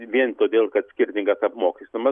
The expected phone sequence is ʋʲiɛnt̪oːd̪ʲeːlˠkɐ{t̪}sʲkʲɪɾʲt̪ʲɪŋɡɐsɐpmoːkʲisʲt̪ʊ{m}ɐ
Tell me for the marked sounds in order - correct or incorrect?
correct, correct

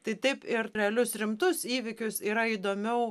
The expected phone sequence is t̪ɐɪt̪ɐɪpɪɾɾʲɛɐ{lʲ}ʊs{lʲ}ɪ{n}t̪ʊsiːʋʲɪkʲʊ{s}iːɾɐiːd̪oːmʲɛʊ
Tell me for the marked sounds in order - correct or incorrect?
correct, incorrect, incorrect, correct

